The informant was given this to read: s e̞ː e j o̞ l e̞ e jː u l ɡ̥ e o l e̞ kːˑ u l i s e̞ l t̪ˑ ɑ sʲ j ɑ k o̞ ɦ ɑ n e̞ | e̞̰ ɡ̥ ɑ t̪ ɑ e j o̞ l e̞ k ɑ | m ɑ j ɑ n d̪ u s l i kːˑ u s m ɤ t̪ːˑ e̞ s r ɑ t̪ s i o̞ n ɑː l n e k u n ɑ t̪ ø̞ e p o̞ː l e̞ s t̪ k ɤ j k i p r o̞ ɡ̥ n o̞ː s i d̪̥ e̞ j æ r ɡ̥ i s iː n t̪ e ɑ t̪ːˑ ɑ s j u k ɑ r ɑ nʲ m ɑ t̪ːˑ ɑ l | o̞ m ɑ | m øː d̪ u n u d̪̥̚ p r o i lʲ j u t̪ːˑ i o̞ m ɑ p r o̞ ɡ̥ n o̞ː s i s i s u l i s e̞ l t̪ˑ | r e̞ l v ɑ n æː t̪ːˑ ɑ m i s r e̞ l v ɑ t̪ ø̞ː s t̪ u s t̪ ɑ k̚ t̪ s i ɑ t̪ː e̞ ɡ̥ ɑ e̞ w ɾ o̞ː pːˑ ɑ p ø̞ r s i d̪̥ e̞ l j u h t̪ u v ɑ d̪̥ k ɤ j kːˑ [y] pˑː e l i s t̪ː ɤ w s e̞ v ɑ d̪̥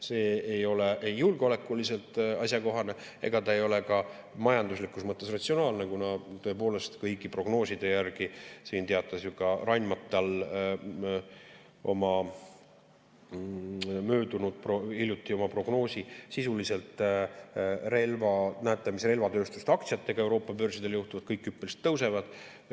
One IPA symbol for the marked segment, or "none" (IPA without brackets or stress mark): y